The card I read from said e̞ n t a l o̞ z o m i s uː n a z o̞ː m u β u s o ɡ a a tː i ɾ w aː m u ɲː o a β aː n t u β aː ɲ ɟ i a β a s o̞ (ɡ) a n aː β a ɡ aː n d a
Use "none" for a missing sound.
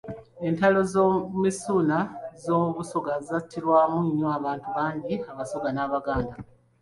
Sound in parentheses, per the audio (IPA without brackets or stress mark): ɡ